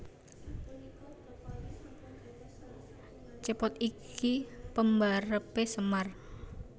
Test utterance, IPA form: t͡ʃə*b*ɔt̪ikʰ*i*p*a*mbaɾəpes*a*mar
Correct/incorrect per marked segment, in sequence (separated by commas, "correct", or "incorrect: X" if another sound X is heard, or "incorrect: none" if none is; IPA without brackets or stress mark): incorrect: p, correct, incorrect: ə, incorrect: ə